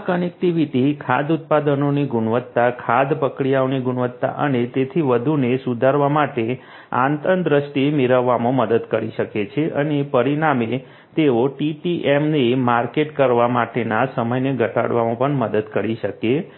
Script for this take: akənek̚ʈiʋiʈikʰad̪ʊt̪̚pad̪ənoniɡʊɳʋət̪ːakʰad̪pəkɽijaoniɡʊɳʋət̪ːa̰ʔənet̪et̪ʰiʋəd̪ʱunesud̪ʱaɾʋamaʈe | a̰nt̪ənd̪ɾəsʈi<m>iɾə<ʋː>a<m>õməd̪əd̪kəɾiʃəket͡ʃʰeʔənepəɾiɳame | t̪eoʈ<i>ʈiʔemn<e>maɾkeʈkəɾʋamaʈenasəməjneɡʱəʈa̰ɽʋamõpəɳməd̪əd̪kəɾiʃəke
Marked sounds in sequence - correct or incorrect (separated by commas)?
correct, correct, correct, correct, correct